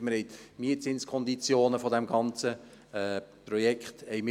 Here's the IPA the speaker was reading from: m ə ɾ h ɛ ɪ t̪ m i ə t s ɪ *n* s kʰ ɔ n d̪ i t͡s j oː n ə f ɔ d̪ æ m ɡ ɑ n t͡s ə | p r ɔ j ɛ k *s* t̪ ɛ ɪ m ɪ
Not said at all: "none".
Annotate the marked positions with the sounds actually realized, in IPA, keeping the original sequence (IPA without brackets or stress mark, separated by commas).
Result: n, χ